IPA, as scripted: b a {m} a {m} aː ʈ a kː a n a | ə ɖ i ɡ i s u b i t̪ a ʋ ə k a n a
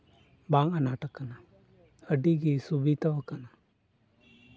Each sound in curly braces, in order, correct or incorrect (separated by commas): incorrect, incorrect